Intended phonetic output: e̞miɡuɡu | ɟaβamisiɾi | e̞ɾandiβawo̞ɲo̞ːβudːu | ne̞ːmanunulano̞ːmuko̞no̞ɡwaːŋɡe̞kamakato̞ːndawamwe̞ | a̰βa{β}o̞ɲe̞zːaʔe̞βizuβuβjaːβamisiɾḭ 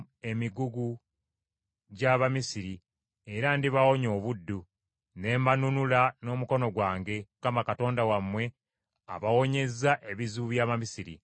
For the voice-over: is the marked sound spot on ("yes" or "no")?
no